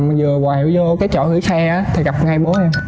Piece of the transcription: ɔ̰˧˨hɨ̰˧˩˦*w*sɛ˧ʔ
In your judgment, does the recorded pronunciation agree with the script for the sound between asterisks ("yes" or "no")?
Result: no